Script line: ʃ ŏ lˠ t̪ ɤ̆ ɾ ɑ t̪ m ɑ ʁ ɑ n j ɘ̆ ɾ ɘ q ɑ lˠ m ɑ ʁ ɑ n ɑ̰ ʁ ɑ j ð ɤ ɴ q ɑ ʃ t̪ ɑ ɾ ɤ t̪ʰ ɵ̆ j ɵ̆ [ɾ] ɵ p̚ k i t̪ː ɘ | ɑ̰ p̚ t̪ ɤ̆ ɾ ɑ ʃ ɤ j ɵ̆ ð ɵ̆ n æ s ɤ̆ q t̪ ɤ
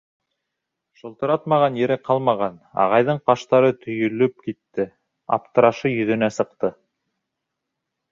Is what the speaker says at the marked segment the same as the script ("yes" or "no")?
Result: no